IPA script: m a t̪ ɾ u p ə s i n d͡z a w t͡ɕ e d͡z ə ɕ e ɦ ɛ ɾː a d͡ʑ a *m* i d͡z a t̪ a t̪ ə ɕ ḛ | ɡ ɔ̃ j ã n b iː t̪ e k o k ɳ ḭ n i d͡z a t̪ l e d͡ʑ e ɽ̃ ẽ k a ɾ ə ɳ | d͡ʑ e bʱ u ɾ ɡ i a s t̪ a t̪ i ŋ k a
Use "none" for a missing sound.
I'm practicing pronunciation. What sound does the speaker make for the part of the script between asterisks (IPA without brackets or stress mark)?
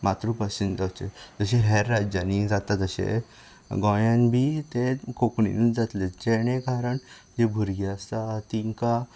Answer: n